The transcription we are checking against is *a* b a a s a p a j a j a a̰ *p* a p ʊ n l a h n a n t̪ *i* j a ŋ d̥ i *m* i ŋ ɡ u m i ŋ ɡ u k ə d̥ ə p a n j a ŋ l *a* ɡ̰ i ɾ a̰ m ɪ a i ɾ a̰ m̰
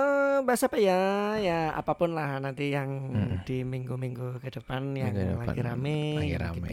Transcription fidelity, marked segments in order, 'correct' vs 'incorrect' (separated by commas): incorrect, correct, correct, correct, correct